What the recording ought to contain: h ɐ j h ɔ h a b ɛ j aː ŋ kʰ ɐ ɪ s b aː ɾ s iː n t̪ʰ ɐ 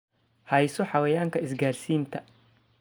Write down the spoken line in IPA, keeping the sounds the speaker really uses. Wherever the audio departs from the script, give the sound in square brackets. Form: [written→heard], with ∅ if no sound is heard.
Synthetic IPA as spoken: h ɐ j [h→s] ɔ [h→ħ] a [b→w] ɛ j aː ŋ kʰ ɐ ɪ s [b→ɡ] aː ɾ s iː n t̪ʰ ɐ

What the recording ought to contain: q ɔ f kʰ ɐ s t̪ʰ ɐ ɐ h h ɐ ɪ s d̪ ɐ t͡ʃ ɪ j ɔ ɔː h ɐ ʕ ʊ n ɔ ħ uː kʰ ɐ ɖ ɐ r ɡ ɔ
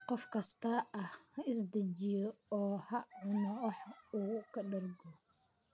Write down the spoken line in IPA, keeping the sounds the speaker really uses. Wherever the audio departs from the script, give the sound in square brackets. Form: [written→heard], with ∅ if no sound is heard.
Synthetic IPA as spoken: q ɔ f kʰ ɐ s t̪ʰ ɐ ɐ h h ɐ ɪ s d̪ ɐ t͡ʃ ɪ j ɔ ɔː h ɐ ʕ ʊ n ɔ ħ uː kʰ ɐ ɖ ɐ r ɡ ɔ

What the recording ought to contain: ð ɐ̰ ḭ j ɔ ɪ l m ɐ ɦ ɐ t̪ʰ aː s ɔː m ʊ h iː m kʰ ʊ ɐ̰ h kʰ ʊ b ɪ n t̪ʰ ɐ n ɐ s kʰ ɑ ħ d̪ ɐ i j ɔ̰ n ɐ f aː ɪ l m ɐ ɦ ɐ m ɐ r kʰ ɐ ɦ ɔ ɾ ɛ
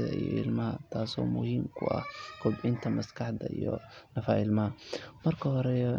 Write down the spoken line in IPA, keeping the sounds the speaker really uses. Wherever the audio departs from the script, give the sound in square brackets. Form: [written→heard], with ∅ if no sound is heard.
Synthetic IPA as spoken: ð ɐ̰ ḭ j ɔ ɪ l m ɐ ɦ ɐ t̪ʰ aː s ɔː m ʊ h iː m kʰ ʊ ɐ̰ h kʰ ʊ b ɪ n t̪ʰ ɐ [n→m] ɐ s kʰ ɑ ħ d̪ ɐ i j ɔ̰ n ɐ f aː ɪ l m ɐ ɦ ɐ m ɐ r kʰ ɐ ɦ ɔ ɾ ɛ

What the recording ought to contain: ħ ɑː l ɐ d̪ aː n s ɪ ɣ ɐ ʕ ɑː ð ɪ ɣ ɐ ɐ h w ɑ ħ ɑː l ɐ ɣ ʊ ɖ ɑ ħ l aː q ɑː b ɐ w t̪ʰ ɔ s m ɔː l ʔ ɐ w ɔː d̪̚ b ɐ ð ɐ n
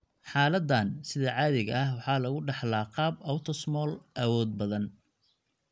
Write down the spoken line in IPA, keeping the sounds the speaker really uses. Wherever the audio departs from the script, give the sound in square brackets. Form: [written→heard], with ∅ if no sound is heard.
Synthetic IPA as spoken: ħ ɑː l ɐ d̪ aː n s ɪ [ɣ→ð] ɐ ʕ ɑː ð ɪ ɣ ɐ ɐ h w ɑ ħ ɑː l ɐ ɣ ʊ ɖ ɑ ħ l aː q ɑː b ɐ w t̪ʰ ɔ s m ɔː l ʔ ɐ w ɔː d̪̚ b ɐ ð ɐ n

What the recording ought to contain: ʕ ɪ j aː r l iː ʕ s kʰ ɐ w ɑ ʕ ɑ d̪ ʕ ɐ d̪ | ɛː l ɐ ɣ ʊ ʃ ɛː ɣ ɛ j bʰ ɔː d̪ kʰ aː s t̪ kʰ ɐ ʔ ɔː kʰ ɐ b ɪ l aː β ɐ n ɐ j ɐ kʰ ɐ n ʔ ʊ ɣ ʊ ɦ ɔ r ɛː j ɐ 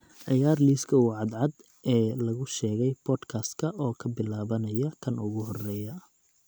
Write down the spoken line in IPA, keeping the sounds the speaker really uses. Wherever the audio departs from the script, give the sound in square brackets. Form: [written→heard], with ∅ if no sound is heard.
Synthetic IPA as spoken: ʕ ɪ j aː r l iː [ʕ→∅] s kʰ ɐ w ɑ ʕ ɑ d̪ ʕ [ɐ→ɑ] d̪ | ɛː l ɐ ɣ ʊ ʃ ɛː ɣ ɛ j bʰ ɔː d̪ kʰ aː s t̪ kʰ ɐ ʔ ɔː kʰ ɐ b ɪ l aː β ɐ n ɐ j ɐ kʰ ɐ n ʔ ʊ ɣ ʊ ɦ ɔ r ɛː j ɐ

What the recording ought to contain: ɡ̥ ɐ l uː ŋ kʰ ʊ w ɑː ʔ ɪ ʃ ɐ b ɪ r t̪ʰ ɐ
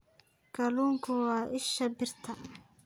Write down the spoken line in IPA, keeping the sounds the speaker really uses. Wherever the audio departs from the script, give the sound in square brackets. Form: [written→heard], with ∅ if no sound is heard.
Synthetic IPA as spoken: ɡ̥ ɐ l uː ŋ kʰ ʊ w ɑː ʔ ɪ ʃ ɐ b ɪ r t̪ʰ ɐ

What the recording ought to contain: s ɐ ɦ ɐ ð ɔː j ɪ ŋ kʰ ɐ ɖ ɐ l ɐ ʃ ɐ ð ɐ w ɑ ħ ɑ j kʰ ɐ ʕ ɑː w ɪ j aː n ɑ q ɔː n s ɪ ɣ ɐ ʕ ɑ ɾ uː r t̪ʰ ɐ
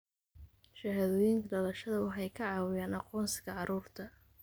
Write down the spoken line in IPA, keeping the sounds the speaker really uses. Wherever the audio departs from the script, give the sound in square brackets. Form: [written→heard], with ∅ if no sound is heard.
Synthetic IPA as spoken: [s→ʃ] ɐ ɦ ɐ ð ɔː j ɪ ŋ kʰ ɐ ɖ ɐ l ɐ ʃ ɐ ð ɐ w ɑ ħ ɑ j kʰ ɐ ʕ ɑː w ɪ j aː n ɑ q ɔː n s ɪ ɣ ɐ ʕ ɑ ɾ uː r t̪ʰ ɐ

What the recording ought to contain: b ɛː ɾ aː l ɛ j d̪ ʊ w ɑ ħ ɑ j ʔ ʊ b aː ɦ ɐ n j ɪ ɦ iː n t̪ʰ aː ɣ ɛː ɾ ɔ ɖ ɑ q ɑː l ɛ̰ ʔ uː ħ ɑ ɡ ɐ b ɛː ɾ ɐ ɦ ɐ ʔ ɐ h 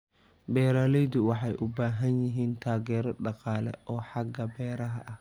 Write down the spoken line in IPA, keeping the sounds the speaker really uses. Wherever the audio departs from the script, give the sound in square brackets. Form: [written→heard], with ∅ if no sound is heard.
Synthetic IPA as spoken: b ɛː ɾ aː l ɛ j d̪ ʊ w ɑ ħ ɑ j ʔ ʊ b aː ɦ ɐ n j ɪ ɦ iː n t̪ʰ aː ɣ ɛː ɾ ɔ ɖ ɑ q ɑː l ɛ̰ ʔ [uː→ɔː] ħ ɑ ɡ ɐ b ɛː ɾ ɐ ɦ ɐ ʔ ɐ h

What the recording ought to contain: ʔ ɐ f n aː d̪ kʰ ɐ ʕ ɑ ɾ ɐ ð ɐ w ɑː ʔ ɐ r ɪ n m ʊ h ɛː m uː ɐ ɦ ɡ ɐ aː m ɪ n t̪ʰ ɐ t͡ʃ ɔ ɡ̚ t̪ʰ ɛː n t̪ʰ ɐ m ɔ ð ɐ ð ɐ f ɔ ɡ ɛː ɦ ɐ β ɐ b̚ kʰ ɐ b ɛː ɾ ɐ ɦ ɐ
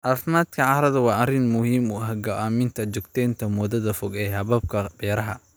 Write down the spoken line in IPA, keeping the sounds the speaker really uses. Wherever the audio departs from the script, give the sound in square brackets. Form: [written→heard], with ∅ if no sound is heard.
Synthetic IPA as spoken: ʔ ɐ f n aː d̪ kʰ ɐ ʕ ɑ ɾ ɐ ð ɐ w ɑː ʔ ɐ r ɪ n m ʊ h [ɛː→iː] m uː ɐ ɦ ɡ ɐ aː m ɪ n t̪ʰ ɐ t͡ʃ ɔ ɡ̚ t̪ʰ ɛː n t̪ʰ ɐ m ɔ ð ɐ ð ɐ f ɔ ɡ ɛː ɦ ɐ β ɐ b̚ kʰ ɐ b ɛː ɾ ɐ ɦ ɐ

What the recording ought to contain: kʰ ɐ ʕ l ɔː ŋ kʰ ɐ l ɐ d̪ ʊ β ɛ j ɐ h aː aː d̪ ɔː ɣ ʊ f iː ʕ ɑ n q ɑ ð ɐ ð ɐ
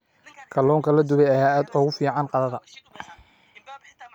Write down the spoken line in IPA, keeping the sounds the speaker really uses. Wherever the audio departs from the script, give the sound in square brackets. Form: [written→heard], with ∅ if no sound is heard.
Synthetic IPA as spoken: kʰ ɐ [ʕ→∅] l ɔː ŋ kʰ ɐ l ɐ d̪ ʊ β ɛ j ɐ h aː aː d̪ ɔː ɣ ʊ f iː ʕ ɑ n q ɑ ð ɐ ð ɐ

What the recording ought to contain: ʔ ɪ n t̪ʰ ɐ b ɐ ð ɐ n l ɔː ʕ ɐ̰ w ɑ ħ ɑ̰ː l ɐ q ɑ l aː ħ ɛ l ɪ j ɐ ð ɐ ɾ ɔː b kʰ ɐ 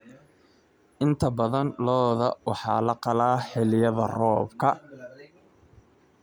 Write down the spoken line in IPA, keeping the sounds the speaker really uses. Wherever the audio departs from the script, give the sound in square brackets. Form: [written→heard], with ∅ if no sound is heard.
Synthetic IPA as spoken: ʔ ɪ n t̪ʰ ɐ b ɐ ð ɐ n l ɔː [ʕ→ð] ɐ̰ w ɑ ħ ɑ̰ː l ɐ q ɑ l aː ħ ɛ l ɪ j ɐ ð ɐ [ɾ→r] ɔː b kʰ ɐ

